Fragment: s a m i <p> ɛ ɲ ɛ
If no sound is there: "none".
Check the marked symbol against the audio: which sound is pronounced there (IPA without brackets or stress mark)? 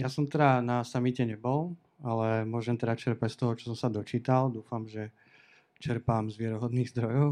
c